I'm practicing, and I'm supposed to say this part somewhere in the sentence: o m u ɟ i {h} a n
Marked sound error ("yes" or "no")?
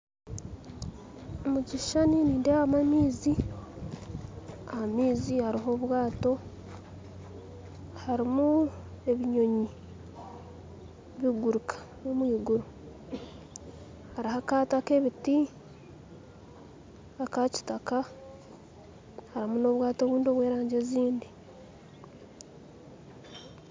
yes